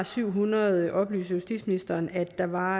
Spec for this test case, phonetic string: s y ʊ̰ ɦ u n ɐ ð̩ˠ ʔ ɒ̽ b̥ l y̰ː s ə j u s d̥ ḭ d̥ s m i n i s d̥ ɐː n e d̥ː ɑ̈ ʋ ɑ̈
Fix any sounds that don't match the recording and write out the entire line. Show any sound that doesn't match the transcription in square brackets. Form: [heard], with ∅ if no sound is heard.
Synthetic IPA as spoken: s y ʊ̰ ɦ u n ɐ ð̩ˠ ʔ ɒ̽ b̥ l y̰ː s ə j u s d̥ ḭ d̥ s m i n i s d̥ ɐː n [æ] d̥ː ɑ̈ ʋ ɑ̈